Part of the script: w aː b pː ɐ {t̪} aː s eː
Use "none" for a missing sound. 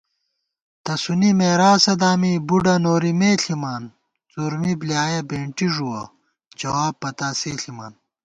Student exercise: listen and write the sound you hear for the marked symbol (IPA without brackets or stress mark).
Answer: t̪